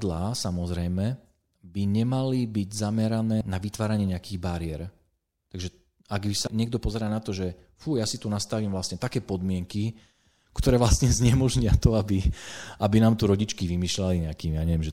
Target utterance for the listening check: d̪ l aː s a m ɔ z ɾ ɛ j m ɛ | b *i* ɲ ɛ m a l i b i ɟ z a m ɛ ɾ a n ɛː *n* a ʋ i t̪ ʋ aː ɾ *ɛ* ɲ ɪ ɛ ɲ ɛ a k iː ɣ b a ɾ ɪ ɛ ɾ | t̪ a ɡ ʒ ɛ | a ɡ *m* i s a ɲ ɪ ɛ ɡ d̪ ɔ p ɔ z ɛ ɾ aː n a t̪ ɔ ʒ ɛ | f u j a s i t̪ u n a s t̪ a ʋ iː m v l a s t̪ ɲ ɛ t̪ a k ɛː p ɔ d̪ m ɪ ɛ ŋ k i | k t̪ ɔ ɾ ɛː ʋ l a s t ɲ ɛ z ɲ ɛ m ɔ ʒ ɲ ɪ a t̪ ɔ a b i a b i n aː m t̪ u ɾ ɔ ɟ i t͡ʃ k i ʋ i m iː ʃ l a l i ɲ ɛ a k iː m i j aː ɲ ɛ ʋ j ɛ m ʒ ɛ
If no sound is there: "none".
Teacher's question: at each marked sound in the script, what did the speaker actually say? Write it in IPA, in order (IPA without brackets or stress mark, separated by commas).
i, n, a, b